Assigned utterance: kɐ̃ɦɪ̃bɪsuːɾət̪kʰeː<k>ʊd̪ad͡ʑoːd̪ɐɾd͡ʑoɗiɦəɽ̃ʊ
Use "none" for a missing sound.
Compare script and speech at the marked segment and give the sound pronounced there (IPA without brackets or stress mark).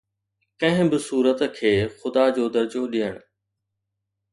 x